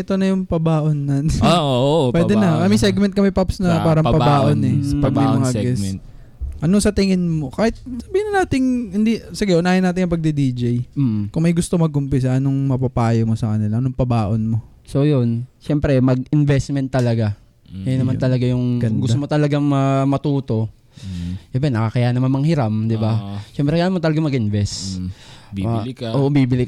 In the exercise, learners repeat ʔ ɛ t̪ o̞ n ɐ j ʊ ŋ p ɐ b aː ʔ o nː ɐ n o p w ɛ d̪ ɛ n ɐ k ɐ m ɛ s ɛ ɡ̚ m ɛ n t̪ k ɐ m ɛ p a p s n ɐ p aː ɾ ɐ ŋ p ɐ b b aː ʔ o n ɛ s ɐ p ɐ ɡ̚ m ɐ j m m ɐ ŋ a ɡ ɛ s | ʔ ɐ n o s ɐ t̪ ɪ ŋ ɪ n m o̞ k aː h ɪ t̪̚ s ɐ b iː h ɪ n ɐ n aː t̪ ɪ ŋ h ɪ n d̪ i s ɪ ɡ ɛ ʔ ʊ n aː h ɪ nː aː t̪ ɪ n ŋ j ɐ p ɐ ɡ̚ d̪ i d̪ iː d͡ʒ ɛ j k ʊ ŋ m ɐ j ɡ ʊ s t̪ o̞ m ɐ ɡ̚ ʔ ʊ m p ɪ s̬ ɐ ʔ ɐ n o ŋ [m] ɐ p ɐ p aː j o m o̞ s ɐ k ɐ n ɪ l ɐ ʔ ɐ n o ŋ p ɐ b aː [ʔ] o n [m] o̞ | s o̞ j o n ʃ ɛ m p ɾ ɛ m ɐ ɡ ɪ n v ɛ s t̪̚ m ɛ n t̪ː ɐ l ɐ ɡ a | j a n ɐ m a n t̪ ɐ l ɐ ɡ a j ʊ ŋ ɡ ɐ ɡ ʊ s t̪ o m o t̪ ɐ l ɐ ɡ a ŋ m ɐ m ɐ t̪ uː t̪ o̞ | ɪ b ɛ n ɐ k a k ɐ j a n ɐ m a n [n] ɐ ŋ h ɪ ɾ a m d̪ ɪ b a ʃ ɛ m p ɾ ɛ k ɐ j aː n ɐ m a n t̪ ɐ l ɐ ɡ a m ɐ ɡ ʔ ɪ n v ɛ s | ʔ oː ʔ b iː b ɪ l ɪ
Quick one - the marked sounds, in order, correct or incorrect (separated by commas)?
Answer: correct, correct, correct, incorrect